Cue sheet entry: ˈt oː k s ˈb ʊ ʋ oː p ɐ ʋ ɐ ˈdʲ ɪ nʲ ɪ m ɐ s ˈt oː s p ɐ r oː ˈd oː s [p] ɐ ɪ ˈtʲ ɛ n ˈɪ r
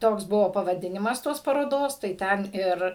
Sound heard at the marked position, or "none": t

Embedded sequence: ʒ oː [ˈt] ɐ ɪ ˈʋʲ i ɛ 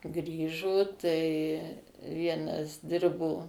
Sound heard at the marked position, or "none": t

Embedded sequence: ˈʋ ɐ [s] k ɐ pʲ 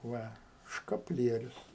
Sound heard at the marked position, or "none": ʃ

